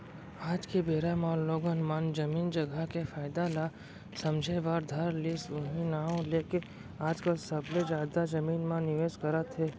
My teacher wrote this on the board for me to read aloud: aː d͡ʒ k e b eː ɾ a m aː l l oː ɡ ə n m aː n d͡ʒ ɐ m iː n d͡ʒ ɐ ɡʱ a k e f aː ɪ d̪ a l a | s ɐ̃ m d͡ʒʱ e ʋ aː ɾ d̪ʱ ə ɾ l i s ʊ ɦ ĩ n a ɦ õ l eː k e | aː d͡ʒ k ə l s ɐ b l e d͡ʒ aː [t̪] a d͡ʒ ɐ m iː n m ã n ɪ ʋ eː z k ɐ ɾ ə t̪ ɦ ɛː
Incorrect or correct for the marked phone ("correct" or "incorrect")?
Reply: incorrect